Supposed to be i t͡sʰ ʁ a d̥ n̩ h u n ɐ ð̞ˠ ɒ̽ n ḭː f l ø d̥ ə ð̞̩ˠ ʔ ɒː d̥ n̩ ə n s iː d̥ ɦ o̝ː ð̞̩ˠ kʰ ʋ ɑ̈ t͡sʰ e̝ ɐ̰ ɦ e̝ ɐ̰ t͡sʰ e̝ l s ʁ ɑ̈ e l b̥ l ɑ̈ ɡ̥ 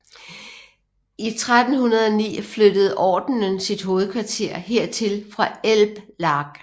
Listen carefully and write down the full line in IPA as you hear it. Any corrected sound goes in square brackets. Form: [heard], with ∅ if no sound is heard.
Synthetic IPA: i t͡sʰ ʁ a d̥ n̩ h u n ɐ ð̞ˠ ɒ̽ n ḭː f l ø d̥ ə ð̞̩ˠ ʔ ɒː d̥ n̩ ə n s [i] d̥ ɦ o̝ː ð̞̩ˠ kʰ ʋ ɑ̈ t͡sʰ e̝ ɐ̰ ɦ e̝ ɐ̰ t͡sʰ e̝ l [f] ʁ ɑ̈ e l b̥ l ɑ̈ ɡ̥